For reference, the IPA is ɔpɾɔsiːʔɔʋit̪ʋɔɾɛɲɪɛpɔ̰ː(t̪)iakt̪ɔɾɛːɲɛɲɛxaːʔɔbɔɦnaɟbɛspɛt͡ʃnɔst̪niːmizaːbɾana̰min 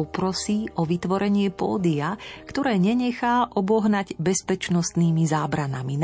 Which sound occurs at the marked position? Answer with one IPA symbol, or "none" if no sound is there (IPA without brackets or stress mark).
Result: d̪